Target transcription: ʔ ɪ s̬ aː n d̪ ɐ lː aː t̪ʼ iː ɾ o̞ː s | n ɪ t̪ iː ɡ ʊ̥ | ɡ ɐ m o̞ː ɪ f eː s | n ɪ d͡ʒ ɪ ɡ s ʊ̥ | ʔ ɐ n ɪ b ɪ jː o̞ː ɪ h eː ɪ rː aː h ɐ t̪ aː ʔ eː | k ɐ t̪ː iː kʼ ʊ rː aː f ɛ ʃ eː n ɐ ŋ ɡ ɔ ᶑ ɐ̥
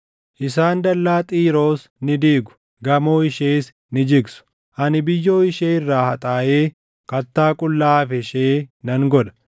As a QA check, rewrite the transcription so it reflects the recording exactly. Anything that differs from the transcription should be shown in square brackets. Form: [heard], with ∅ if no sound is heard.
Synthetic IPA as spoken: ʔ ɪ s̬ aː n d̪ ɐ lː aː t̪ʼ iː ɾ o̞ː s | n ɪ [d̪] iː ɡ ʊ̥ | ɡ ɐ m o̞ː ɪ [ʃ] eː s | n ɪ d͡ʒ ɪ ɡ s ʊ̥ | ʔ ɐ n ɪ b ɪ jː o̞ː ɪ [ʃ] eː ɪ rː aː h ɐ [t̪ʼ] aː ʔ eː | k ɐ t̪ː [aː] kʼ ʊ [lː] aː f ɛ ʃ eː n ɐ ŋ ɡ ɔ ᶑ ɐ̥